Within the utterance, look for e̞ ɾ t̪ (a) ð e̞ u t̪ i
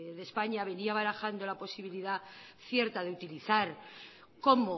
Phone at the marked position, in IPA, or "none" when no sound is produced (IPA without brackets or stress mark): a